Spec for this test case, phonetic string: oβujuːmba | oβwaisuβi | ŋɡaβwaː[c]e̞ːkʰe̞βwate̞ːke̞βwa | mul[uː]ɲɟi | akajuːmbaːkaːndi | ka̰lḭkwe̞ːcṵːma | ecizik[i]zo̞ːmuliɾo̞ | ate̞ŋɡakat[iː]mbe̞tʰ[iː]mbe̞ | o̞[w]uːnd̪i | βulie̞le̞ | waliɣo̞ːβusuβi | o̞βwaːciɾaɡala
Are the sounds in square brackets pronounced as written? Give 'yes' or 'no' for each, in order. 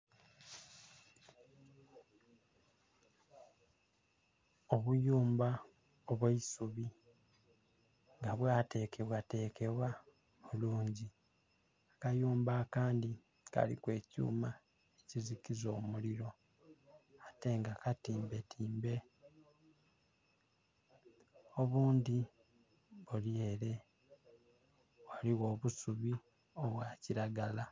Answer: no, yes, yes, yes, yes, no

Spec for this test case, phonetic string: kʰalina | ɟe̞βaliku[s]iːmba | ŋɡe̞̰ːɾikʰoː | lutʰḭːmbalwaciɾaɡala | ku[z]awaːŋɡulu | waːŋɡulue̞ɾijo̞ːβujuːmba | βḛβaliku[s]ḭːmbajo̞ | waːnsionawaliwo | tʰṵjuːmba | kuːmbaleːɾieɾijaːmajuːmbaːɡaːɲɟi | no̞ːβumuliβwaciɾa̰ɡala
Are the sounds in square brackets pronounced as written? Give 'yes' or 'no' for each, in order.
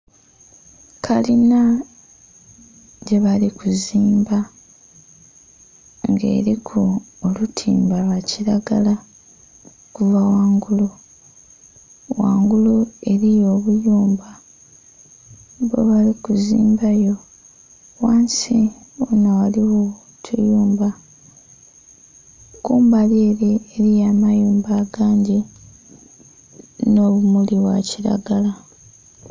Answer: no, no, no

